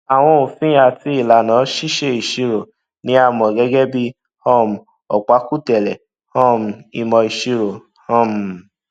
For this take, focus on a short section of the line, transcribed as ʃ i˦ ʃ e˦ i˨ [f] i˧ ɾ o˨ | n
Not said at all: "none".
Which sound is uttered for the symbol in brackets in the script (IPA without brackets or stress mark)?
ʃ